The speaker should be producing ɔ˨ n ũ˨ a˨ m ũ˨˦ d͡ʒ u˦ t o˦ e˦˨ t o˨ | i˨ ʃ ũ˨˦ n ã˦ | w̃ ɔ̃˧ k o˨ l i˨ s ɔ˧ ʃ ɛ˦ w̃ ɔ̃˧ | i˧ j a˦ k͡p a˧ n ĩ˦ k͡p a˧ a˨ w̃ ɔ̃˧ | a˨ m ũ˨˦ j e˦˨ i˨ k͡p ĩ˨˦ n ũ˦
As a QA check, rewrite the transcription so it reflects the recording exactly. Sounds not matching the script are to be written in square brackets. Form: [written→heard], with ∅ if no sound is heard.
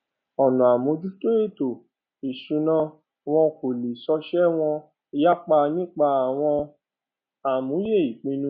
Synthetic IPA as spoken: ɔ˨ n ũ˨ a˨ m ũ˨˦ d͡ʒ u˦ t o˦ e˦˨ t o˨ | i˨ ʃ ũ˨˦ n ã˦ | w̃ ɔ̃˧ k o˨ l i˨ s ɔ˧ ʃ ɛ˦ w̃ ɔ̃˧ | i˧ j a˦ k͡p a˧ n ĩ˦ k͡p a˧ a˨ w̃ ɔ̃˧ | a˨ m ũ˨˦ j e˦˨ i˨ k͡p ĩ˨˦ n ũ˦